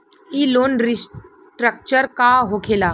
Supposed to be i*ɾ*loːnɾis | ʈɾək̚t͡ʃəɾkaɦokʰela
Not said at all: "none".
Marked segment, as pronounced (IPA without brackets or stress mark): none